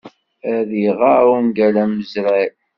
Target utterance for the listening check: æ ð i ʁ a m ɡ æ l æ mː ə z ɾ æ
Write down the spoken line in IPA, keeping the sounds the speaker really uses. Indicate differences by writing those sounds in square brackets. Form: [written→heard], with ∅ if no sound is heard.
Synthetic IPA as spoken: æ ð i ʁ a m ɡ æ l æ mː ə z ɾ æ